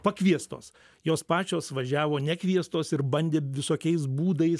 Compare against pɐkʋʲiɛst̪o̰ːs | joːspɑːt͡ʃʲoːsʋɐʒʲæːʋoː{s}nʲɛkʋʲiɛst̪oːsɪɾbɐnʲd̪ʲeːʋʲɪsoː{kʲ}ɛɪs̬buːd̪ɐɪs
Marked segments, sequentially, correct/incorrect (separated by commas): incorrect, correct